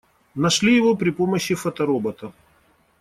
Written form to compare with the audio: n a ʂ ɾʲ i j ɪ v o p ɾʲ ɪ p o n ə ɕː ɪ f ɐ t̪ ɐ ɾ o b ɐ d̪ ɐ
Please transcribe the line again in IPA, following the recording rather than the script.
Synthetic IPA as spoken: n ɐ ʂ lʲ i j ɪ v o p ɾʲ ɪ p o m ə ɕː ɪ f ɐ t̪ ɐ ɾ o b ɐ t̪ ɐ